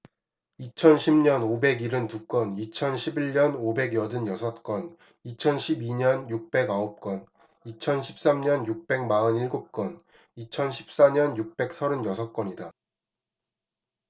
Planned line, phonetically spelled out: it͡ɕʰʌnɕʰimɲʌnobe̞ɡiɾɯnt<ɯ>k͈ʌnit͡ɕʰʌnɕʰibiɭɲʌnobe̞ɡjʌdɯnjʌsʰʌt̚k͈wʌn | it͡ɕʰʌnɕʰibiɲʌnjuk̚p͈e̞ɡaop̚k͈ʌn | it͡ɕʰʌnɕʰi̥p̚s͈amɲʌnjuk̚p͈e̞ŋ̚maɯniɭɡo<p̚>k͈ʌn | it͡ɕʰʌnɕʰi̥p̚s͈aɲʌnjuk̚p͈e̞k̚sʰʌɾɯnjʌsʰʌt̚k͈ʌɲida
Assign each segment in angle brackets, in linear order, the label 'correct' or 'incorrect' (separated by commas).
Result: incorrect, correct